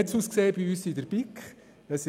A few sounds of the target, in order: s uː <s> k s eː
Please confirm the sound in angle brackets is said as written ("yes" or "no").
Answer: yes